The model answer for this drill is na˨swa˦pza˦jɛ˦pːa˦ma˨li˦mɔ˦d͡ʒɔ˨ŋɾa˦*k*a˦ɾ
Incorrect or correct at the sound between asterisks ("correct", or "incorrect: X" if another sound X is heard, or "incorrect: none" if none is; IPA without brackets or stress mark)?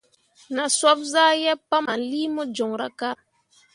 correct